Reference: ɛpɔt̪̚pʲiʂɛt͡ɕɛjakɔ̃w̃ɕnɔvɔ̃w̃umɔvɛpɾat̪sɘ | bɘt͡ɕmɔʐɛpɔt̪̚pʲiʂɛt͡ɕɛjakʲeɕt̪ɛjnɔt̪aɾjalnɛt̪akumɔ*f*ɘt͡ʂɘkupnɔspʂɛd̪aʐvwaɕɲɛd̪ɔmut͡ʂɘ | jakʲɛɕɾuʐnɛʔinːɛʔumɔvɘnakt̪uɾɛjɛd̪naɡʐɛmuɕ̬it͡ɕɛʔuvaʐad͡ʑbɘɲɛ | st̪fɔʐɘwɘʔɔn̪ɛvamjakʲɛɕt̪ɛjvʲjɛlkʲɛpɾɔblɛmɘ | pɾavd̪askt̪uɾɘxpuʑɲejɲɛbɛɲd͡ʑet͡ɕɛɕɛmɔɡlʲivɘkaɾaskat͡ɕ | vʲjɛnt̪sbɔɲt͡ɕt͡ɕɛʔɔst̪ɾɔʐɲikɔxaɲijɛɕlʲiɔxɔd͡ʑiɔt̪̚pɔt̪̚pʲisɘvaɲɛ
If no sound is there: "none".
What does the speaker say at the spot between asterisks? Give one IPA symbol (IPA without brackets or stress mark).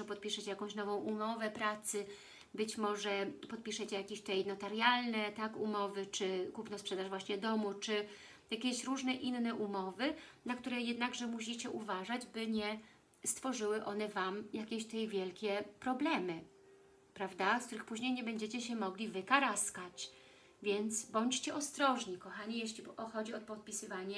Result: v